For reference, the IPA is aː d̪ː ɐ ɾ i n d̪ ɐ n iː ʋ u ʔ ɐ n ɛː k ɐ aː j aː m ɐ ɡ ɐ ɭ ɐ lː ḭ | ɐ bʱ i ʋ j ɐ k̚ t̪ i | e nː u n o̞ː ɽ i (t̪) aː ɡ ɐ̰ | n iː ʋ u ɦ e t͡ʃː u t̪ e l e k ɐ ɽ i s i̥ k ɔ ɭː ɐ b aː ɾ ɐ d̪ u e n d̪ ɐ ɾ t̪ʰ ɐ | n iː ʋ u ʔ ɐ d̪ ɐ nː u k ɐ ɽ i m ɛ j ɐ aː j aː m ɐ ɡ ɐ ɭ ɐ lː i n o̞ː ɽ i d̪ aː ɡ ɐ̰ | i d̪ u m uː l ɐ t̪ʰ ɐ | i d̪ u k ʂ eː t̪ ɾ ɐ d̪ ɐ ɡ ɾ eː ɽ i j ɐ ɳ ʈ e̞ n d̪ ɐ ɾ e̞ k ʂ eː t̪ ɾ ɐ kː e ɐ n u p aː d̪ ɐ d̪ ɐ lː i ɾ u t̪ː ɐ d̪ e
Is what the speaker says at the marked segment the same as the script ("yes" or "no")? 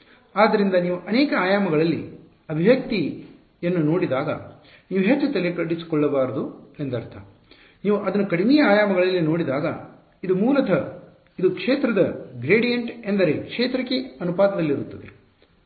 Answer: no